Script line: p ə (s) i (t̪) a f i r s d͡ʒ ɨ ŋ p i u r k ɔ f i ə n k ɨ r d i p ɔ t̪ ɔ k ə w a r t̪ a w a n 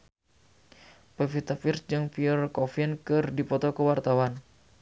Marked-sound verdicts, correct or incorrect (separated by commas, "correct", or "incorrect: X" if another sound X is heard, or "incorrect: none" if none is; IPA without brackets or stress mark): incorrect: f, correct